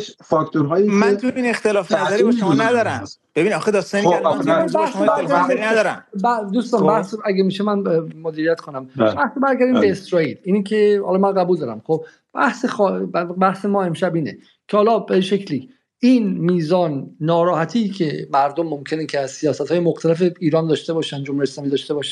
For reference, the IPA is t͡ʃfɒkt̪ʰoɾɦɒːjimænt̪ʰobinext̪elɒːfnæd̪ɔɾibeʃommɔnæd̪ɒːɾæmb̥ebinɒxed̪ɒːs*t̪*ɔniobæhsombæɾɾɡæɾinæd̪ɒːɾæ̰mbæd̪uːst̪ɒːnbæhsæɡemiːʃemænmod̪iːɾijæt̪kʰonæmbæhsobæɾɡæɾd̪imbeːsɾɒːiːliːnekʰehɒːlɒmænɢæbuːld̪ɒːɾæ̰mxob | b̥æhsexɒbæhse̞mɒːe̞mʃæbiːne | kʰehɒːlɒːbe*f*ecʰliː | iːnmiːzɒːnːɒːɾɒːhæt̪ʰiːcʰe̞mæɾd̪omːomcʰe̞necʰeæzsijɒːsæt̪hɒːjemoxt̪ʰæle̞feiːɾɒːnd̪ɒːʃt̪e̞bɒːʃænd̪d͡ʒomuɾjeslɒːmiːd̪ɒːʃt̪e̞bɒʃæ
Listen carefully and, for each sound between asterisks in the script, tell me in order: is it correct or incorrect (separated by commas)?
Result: correct, incorrect